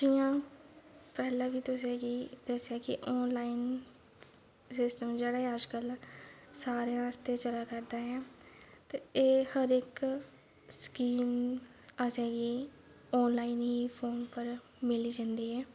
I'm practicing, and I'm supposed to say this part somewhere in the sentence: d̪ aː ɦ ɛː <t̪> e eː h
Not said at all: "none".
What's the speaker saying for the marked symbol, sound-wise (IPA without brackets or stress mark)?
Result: t̪